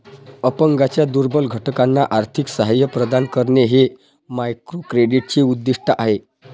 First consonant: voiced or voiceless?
voiceless